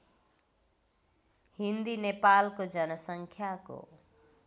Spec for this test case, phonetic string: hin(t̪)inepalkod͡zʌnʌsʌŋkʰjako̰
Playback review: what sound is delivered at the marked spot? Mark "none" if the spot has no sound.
d̪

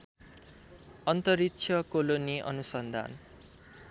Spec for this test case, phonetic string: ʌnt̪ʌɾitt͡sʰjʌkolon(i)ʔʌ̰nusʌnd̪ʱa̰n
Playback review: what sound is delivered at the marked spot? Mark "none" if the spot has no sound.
i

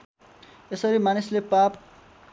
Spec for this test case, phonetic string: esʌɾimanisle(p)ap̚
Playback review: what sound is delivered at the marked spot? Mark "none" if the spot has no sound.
p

